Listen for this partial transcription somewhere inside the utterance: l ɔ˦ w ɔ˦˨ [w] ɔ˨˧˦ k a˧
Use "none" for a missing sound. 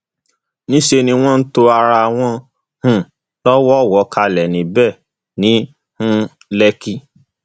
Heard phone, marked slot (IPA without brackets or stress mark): w